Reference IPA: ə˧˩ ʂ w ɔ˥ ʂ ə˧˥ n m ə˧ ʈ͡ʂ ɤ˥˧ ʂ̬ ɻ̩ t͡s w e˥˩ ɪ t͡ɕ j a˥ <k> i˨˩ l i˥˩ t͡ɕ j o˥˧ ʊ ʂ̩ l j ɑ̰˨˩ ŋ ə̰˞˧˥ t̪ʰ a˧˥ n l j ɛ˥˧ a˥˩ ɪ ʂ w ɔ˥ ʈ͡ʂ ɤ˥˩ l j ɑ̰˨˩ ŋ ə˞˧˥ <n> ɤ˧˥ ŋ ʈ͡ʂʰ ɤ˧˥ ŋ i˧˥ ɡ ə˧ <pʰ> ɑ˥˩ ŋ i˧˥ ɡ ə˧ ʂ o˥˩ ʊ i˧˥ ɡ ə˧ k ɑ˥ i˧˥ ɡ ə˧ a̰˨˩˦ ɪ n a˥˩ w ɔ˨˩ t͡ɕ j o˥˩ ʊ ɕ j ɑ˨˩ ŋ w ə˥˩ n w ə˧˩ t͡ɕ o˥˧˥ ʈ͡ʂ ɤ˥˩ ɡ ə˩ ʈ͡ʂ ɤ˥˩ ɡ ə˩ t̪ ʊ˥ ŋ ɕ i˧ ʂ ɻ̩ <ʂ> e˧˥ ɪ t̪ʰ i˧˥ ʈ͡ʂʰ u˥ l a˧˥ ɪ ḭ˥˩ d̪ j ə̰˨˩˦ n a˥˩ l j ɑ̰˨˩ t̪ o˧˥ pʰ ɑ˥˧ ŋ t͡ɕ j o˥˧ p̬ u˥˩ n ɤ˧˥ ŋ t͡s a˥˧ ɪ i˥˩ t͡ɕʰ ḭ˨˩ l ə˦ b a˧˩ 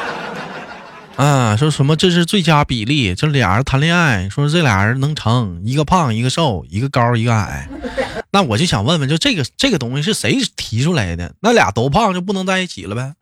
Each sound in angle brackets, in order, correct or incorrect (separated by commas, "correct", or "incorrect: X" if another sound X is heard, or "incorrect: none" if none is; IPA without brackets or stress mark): incorrect: p, correct, correct, correct